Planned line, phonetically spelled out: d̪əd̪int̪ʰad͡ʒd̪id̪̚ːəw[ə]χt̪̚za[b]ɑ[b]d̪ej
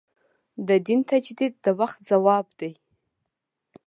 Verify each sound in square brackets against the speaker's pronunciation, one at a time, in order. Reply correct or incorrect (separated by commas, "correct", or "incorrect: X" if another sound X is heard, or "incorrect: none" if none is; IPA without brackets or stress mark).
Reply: incorrect: a, incorrect: w, correct